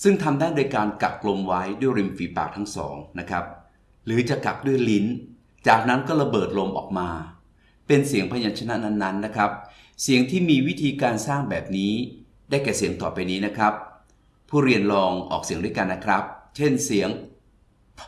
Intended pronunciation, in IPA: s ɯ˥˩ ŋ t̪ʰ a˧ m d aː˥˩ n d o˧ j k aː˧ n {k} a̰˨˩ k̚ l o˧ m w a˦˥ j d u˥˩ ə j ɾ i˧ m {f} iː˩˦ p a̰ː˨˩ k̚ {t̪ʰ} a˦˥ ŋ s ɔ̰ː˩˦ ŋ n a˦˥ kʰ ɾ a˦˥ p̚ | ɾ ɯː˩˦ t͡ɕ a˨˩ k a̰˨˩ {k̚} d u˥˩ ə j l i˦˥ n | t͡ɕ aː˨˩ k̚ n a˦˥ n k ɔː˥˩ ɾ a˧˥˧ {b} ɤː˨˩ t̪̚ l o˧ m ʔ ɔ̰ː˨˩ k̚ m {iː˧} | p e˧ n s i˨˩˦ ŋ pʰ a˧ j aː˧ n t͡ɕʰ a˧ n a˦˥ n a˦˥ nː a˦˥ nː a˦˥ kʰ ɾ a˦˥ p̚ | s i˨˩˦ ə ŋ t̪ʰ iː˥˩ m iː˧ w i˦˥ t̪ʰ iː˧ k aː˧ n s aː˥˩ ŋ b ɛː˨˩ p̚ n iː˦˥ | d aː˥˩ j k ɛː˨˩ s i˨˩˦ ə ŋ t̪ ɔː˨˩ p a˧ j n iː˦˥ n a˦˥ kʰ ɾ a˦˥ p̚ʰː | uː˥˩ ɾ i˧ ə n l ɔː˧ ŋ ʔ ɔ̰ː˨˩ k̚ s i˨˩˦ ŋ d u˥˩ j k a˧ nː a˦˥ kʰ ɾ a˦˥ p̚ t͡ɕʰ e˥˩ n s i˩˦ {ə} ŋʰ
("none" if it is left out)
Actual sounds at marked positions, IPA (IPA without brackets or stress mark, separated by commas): k, f, t̪ʰ, k̚, b, aː˧, ə